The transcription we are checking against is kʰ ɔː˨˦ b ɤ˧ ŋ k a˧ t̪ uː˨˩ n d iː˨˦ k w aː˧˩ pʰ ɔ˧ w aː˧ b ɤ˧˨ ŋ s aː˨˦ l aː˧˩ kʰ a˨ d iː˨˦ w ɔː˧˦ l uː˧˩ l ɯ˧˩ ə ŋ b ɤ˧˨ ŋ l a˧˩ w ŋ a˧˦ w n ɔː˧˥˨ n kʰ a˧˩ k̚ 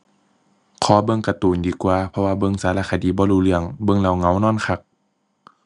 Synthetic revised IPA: kʰ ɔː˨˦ b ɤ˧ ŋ k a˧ t̪ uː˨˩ n d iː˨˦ k w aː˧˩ pʰ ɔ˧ w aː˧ b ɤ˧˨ ŋ s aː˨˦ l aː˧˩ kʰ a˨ d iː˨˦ b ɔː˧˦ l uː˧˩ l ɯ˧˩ ə ŋ b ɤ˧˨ ŋ l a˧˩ w ŋ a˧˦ w n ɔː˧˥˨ n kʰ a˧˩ k̚